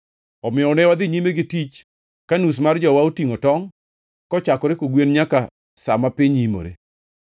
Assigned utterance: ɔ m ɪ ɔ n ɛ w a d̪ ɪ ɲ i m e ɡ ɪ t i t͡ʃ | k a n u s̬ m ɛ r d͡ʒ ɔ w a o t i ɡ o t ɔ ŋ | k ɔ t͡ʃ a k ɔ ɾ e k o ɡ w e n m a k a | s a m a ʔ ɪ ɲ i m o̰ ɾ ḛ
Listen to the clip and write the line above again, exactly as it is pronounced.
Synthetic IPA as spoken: ɔ m ɪ ɔ n ɛ w a d̪ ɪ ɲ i m e ɡ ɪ t i t͡ʃ | k a n u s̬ m a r d͡ʒ ɔ w a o t i ŋ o t ɔ ŋ | k ɔ t͡ʃ a k ɔ ɾ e k o ɡ w e n ɲ a k a | s a m a p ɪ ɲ i m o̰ ɾ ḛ